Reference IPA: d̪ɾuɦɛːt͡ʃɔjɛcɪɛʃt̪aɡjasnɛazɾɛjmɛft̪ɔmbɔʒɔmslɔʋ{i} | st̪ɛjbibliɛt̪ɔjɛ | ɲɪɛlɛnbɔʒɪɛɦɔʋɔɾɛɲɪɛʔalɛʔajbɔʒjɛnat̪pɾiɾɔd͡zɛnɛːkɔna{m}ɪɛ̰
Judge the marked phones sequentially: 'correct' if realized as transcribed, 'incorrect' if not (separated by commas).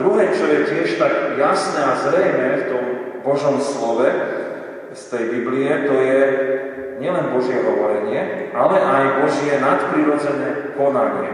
incorrect, incorrect